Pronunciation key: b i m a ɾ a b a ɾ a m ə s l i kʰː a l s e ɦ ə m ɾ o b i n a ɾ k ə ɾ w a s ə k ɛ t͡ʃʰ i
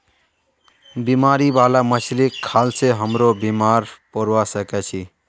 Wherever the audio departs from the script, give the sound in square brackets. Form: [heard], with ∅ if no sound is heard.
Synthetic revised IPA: b i m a ɾ [i] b a [l] a m ə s l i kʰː a l s e ɦ ə m ɾ o b i [m] a ɾ [p] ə ɾ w a s ə k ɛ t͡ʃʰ i

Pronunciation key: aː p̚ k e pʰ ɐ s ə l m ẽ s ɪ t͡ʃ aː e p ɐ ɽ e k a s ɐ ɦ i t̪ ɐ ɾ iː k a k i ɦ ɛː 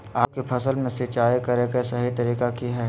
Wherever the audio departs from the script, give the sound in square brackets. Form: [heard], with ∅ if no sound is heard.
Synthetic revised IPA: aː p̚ k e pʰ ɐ s ə l m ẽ s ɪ t͡ʃ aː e [k] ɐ [ɾ] e k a s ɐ ɦ i t̪ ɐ ɾ iː k a k i ɦ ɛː

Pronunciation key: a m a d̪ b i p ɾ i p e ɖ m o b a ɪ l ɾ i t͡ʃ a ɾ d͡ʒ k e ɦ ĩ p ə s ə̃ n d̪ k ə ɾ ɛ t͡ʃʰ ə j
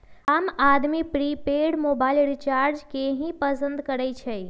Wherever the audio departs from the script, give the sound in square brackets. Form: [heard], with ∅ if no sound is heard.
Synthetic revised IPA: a m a d̪ [m] i p ɾ i p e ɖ m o b a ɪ l ɾ i t͡ʃ a ɾ d͡ʒ k e ɦ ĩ p ə s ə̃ n d̪ k ə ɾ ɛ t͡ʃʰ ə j

